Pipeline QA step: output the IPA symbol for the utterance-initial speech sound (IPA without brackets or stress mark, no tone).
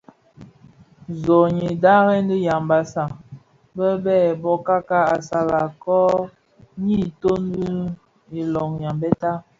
z